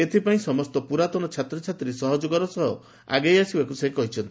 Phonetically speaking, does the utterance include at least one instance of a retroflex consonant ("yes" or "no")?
no